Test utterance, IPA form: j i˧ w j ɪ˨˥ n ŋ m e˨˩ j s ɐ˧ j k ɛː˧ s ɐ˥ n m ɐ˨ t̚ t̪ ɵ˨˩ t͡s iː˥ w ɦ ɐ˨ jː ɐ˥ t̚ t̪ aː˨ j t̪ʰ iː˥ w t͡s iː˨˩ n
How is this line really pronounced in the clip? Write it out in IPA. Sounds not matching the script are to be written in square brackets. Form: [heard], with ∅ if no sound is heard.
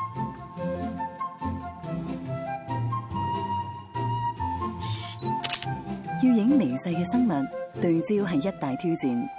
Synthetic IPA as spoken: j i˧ w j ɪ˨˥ [∅] ŋ m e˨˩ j s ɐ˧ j k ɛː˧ s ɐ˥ [ŋ] m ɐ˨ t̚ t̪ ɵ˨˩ t͡s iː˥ w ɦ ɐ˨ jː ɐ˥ t̚ t̪ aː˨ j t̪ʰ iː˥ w t͡s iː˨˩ n